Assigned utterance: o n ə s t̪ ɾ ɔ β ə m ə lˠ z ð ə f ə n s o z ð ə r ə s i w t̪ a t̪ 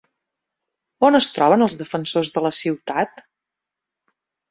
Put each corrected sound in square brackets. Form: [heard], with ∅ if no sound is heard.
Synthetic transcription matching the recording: o n ə s t̪ ɾ ɔ β ə [n] ə lˠ z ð ə f ə n s o z ð ə [l] ə s i w t̪ a t̪